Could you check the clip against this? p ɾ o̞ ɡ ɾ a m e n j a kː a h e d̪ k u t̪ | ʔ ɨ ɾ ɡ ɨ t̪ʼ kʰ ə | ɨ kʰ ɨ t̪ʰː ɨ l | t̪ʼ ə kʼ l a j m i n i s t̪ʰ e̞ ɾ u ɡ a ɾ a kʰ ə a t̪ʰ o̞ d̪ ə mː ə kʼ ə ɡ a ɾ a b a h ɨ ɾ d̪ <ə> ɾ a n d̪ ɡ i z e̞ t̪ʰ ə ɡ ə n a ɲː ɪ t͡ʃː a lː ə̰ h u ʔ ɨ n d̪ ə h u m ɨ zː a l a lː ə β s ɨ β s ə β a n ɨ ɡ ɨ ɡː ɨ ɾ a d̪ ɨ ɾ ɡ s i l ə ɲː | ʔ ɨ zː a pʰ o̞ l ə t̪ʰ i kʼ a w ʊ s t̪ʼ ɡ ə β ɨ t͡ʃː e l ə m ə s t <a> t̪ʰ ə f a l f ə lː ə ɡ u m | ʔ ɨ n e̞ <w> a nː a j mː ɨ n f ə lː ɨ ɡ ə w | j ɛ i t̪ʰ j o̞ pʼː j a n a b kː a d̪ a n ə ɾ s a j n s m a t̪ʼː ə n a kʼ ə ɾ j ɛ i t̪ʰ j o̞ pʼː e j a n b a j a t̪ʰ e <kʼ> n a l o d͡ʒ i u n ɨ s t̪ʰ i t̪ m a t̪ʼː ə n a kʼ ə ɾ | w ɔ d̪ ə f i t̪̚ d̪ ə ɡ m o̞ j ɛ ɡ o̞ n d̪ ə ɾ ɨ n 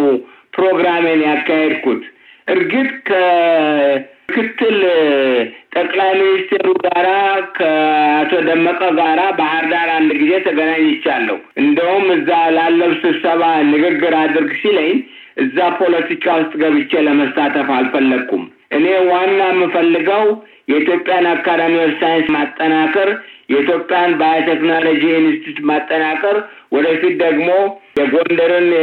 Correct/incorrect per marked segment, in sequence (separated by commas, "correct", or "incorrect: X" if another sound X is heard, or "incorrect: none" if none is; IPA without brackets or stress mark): incorrect: a, correct, correct, incorrect: k